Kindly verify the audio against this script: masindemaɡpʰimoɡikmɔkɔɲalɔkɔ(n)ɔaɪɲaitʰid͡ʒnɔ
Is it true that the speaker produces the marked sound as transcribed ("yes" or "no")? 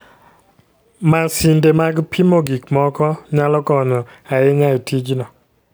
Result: yes